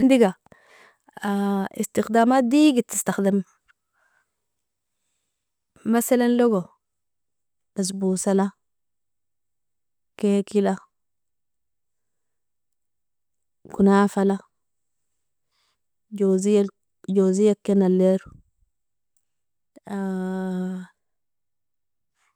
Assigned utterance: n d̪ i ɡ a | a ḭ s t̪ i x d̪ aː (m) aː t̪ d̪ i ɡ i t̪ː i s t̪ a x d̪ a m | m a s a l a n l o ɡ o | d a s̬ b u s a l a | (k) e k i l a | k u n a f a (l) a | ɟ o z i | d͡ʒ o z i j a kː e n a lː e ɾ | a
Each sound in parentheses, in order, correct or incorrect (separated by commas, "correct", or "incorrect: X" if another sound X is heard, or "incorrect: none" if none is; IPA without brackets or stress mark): correct, correct, correct